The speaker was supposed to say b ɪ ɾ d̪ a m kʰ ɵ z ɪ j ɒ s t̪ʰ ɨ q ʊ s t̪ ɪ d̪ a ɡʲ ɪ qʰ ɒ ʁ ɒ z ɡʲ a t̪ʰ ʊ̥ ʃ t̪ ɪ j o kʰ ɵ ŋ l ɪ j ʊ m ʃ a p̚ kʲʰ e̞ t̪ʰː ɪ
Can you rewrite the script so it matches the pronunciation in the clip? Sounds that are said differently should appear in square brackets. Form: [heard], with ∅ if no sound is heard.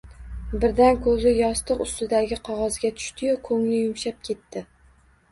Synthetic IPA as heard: b ɪ ɾ d̪ a [n] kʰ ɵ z ɪ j ɒ s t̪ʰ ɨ q ʊ s t̪ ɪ d̪ a ɡʲ ɪ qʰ ɒ ʁ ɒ z ɡʲ a t̪ʰ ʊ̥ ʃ t̪ ɪ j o kʰ ɵ ŋ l ɪ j ʊ m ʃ a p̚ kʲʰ e̞ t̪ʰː ɪ